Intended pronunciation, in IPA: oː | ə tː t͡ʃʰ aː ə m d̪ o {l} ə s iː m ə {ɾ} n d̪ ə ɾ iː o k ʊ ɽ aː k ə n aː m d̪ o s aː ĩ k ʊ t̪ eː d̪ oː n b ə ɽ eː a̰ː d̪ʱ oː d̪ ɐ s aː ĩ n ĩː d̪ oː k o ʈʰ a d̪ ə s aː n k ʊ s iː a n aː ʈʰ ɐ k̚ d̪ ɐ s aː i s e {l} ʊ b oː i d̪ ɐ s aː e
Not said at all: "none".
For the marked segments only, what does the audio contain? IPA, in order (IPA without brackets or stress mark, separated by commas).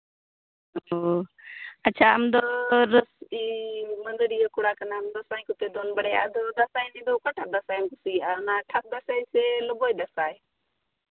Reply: ɾ, none, l